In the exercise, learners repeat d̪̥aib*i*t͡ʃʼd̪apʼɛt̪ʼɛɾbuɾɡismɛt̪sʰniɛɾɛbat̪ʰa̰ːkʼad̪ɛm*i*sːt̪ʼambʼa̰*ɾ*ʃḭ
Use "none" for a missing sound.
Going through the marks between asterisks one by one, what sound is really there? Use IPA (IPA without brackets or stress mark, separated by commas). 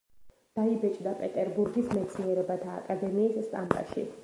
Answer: ɛ, iː, none